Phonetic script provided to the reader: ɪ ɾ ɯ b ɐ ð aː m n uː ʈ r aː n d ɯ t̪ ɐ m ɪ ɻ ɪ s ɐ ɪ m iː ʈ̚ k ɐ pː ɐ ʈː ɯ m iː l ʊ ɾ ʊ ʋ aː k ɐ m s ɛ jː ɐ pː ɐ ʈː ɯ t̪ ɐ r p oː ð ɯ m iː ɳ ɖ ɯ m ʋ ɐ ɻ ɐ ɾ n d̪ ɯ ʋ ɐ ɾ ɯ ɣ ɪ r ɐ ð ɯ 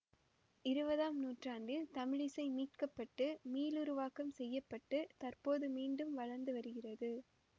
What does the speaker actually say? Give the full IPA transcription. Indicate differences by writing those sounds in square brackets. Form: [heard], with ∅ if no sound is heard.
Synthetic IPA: ɪ ɾ ɯ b ɐ ð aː m n uː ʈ r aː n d ɯ t̪ ɐ m ɪ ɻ ɪ s ɐ ɪ m iː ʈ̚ k ɐ pː ɐ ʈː ɯ m iː l ʊ ɾ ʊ ʋ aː k ɐ m s ɛ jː ɐ pː ɐ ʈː ɯ t̪ ɐ r p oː ð ɯ m iː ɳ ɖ ɯ m ʋ ɐ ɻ ɐ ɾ n d̪ ɯ ʋ ɐ ɾ ɯ ɣ ɪ r ɐ ð ɯ

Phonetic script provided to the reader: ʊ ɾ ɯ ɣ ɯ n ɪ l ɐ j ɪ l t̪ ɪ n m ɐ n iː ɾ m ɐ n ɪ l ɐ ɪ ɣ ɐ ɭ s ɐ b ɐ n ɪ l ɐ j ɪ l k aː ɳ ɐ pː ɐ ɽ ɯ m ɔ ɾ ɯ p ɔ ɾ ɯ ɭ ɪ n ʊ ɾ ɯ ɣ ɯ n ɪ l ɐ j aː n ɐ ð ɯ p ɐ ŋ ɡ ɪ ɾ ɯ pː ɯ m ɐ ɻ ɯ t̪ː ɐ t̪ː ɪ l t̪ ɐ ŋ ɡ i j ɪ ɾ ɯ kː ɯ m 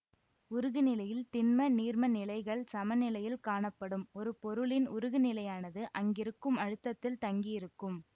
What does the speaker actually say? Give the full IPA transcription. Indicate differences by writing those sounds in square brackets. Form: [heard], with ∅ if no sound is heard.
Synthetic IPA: ʊ ɾ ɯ ɣ ɯ n ɪ l ɐ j ɪ l t̪ ɪ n m ɐ n iː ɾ m ɐ n ɪ l ɐ ɪ ɣ ɐ ɭ s ɐ [m] ɐ n ɪ l ɐ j ɪ l k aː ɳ ɐ pː ɐ ɽ ɯ m ɔ ɾ ɯ p ɔ ɾ ɯ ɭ ɪ n ʊ ɾ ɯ ɣ ɯ n ɪ l ɐ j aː n ɐ ð ɯ [ʔ] ɐ ŋ ɡ ɪ ɾ ɯ [kː] ɯ m ɐ ɻ ɯ t̪ː ɐ t̪ː ɪ l t̪ ɐ ŋ ɡ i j ɪ ɾ ɯ kː ɯ m

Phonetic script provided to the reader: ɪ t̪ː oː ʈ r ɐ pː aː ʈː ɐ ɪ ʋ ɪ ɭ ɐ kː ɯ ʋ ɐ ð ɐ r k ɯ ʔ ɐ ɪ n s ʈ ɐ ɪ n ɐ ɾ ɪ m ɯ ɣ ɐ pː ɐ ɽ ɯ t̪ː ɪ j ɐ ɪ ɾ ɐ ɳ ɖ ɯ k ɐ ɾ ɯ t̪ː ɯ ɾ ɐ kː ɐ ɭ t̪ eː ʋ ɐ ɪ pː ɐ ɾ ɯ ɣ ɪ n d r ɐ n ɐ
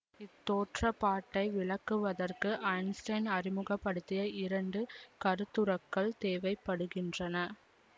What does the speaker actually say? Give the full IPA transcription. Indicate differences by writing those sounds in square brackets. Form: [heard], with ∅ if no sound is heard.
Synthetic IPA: ɪ t̪ː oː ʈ r ɐ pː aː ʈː ɐ ɪ ʋ ɪ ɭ ɐ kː ɯ ʋ ɐ ð ɐ r k ɯ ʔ ɐ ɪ n s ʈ ɐ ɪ n ɐ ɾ ɪ m ɯ ɣ ɐ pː ɐ ɽ ɯ t̪ː ɪ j ɐ ɪ ɾ ɐ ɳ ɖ ɯ k ɐ ɾ ɯ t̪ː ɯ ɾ ɐ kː ɐ ɭ t̪ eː ʋ ɐ ɪ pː ɐ [ɽ] ɯ ɣ ɪ n d r ɐ n ɐ

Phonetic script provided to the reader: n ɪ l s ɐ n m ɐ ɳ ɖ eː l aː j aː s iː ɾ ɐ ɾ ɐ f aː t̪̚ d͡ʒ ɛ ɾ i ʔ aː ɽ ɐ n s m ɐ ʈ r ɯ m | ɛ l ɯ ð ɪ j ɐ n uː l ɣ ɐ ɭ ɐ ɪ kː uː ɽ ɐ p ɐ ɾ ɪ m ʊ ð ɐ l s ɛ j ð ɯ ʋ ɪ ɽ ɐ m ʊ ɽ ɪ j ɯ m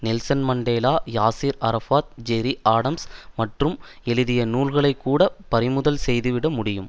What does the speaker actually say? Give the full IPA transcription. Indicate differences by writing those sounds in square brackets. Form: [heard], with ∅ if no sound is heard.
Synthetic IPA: n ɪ l s ɐ n m ɐ ɳ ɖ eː l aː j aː s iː ɾ ɐ ɾ ɐ f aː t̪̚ d͡ʒ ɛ ɾ i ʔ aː ɽ ɐ [m] s m ɐ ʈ r ɯ m | ɛ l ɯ ð ɪ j ɐ n uː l ɣ ɐ ɭ ɐ ɪ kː uː ɽ ɐ p ɐ ɾ ɪ m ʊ ð ɐ l s ɛ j ð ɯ ʋ ɪ ɽ ɐ m ʊ ɽ ɪ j ɯ m

